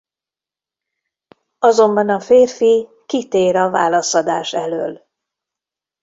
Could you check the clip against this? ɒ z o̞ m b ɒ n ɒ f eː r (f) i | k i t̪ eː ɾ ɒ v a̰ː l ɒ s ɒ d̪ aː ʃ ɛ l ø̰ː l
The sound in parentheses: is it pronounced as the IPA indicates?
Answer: yes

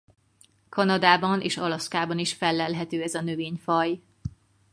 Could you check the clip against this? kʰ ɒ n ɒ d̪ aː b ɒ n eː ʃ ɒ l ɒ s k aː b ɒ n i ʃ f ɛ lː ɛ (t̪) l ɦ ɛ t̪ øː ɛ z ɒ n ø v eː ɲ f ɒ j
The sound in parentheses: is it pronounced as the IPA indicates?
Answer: no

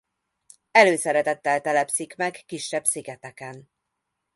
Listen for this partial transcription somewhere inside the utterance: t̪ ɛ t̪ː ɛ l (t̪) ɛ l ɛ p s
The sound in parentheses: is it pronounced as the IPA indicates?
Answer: yes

